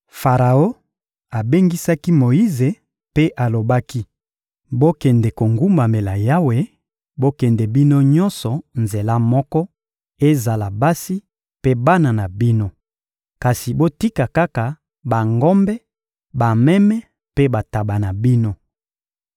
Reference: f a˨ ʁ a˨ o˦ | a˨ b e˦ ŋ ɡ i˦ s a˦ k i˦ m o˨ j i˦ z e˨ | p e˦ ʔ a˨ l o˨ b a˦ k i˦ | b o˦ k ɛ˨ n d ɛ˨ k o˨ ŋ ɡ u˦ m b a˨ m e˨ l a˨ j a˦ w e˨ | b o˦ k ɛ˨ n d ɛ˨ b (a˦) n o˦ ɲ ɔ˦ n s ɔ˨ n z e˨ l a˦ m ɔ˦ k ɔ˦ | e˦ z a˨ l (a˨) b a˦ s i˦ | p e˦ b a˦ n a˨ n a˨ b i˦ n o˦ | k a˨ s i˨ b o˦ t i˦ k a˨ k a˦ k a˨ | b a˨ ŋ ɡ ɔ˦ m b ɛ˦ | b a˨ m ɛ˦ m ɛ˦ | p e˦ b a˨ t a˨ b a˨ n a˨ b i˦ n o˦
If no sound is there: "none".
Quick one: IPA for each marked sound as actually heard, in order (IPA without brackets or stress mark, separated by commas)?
i˦, a˨